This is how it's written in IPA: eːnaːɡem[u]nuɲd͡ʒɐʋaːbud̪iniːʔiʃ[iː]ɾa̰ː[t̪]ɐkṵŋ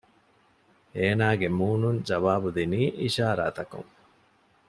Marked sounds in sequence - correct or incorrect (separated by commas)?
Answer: incorrect, incorrect, correct